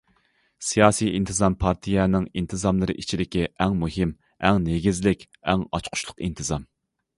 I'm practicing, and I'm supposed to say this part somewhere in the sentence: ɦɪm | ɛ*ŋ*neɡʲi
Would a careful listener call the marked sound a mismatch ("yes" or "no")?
no